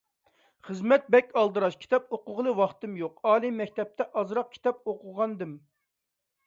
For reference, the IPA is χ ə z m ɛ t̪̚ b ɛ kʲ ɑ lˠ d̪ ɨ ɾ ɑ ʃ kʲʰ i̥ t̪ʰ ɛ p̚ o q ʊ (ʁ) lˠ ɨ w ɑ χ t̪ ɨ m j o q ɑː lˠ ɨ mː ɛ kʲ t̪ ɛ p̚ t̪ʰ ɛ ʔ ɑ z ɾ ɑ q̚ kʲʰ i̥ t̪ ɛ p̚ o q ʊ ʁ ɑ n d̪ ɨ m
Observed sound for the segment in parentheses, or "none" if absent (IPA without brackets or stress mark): ʁ